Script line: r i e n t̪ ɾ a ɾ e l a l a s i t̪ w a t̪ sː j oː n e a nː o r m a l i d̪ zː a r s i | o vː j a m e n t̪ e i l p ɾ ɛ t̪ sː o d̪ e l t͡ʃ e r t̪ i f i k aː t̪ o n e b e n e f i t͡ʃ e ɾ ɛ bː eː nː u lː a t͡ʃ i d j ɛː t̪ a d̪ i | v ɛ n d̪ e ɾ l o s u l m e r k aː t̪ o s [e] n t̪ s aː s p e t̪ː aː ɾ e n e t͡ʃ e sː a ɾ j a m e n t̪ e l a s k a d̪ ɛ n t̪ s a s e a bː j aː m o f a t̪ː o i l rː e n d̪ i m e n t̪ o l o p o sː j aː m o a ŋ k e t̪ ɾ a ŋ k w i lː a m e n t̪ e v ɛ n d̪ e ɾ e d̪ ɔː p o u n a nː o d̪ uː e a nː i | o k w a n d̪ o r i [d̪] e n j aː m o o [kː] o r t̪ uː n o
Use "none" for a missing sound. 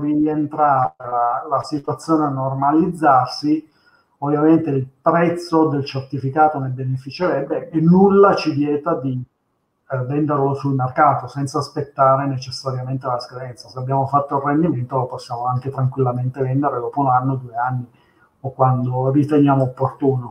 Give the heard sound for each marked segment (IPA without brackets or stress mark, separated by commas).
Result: ɛ, t̪, pː